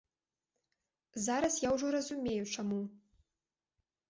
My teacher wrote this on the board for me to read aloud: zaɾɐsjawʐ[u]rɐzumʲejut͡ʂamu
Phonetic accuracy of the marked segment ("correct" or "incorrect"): incorrect